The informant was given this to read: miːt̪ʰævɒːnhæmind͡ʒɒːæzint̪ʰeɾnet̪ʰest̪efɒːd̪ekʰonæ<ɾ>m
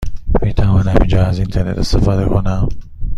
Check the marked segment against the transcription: incorrect: none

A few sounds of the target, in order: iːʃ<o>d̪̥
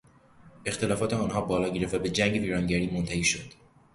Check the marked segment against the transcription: correct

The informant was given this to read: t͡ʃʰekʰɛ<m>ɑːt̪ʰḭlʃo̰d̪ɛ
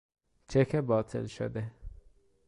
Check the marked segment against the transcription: incorrect: b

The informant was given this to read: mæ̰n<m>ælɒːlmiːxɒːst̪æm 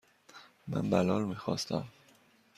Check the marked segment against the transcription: incorrect: b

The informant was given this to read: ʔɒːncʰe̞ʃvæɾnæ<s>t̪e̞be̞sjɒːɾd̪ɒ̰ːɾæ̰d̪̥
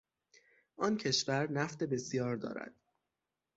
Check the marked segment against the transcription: incorrect: f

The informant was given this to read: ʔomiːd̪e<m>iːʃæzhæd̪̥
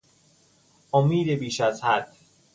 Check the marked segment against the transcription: incorrect: b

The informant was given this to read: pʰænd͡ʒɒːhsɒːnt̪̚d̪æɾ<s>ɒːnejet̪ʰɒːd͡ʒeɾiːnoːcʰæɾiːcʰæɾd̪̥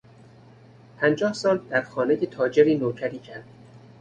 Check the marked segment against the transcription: incorrect: x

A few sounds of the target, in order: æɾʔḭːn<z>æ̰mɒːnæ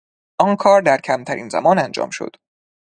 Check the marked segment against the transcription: correct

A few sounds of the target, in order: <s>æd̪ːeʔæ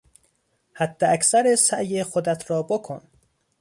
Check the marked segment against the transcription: incorrect: h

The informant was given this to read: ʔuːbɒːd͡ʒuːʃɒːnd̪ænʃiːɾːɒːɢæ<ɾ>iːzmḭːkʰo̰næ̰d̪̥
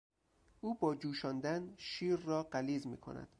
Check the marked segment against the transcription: incorrect: l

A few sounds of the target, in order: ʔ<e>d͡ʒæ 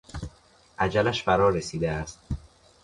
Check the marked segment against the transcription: incorrect: æ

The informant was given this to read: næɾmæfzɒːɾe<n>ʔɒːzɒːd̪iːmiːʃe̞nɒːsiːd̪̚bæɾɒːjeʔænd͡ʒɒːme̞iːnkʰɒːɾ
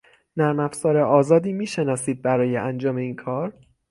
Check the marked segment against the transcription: incorrect: none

